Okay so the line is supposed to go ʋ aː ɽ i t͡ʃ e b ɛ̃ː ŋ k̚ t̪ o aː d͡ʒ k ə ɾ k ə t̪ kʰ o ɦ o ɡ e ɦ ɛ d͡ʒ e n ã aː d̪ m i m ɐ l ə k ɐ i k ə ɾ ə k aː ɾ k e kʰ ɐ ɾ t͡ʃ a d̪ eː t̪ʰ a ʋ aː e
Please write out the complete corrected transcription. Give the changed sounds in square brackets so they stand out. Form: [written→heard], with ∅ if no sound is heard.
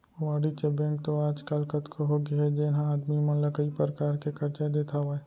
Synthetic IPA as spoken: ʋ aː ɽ i t͡ʃ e b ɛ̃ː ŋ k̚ t̪ o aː d͡ʒ k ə [ɾ→l] k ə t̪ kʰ o ɦ o ɡ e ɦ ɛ d͡ʒ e n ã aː d̪ m i m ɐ l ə k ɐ i [k→p] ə ɾ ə k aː ɾ k e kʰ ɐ ɾ t͡ʃ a d̪ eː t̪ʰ a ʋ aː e

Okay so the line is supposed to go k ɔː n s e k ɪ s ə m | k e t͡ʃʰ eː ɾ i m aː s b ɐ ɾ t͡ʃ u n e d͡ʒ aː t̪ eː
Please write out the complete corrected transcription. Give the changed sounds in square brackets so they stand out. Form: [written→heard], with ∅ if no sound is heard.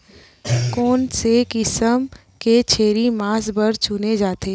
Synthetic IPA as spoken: k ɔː n s e k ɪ s ə m | k e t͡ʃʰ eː ɾ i m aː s b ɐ ɾ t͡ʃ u n e d͡ʒ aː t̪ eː

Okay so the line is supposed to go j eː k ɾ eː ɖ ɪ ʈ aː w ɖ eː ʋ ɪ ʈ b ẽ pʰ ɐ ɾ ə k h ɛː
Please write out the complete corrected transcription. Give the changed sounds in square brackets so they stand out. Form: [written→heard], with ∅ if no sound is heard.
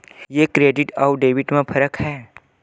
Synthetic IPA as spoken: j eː k ɾ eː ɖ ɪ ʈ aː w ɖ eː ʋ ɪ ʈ [b→m] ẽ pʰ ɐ ɾ ə k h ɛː

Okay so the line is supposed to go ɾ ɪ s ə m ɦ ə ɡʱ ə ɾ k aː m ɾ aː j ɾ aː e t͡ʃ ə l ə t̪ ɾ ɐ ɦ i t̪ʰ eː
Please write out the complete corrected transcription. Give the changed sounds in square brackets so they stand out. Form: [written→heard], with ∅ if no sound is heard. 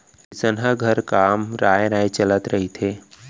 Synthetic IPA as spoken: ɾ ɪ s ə [m→n] ɦ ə ɡʱ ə ɾ k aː m ɾ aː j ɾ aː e t͡ʃ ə l ə t̪ ɾ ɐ ɦ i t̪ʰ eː

